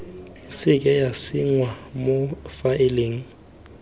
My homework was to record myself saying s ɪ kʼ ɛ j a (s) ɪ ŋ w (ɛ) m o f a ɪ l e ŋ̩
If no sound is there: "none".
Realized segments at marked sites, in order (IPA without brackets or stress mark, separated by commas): s, a